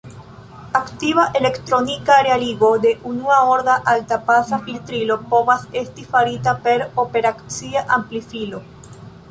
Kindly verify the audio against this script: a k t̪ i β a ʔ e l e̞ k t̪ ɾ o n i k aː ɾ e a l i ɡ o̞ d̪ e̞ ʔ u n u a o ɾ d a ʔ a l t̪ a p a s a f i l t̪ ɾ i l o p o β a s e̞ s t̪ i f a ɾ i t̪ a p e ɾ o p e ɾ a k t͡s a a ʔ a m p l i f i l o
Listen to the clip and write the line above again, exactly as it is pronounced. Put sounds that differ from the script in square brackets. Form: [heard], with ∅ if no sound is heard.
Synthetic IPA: a k t̪ i β a ʔ e l e̞ k t̪ ɾ o n i k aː ɾ e a l i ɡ o̞ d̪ e̞ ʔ u n u a o ɾ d a ʔ a l t̪ a p a s a f i l t̪ ɾ i l o p o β a s e̞ s t̪ i f a ɾ i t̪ a p e ɾ o p e ɾ a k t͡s [i] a ʔ a m p l i f i l o